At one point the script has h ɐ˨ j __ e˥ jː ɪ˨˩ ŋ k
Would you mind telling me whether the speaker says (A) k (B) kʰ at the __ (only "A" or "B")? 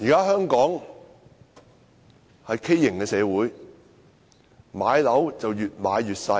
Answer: B